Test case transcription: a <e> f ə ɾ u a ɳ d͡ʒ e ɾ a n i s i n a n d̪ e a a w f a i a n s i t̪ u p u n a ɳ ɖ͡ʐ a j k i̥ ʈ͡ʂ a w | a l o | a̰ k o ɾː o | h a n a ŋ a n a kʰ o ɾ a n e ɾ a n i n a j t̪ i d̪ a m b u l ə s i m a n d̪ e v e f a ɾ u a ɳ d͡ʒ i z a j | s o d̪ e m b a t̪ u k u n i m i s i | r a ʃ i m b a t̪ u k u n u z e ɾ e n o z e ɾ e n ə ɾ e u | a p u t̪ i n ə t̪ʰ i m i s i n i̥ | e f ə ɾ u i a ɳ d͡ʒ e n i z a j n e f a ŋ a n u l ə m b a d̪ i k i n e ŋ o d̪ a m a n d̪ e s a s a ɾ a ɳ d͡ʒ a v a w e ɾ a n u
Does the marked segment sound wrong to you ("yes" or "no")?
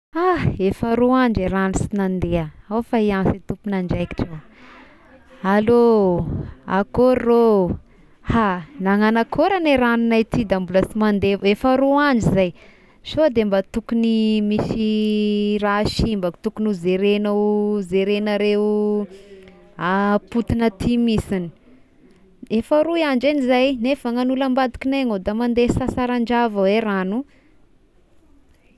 no